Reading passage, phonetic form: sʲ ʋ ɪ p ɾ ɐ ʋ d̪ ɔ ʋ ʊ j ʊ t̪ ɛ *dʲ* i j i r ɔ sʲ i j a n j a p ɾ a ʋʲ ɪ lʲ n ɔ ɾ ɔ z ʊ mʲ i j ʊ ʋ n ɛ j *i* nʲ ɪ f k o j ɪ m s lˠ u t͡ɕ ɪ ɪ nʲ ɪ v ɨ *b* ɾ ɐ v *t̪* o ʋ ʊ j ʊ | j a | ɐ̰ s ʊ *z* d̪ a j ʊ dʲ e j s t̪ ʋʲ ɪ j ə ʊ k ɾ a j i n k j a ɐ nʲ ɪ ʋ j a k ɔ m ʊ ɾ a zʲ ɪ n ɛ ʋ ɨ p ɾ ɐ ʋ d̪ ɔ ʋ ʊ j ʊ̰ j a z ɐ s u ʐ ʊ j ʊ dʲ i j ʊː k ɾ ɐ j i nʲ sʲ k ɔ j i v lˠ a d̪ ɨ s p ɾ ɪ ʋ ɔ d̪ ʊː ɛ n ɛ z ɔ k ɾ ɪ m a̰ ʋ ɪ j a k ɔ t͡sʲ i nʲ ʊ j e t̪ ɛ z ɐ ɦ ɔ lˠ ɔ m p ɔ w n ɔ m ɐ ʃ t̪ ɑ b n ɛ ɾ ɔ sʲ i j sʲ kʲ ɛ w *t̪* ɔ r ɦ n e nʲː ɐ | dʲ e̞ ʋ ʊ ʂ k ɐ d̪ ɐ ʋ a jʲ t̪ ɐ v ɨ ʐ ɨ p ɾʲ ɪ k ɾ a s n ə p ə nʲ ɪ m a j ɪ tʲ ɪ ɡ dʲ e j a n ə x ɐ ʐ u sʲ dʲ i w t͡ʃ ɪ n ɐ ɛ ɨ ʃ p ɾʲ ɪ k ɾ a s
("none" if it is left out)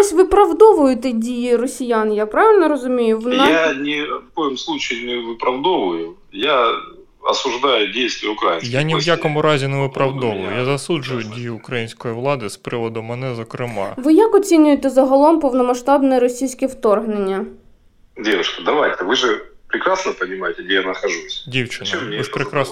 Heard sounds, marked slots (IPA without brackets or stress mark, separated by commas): dʲ, a, p, d̪, ʐ, t̪